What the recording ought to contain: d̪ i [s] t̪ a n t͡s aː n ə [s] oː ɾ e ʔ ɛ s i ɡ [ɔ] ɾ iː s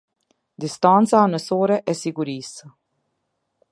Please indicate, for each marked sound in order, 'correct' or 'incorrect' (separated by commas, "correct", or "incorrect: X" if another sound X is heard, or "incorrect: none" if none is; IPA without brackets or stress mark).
correct, correct, incorrect: u